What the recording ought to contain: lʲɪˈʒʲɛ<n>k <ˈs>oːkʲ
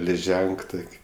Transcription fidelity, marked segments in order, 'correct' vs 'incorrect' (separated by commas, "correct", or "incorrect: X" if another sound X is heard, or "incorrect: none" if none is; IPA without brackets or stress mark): incorrect: ŋ, incorrect: t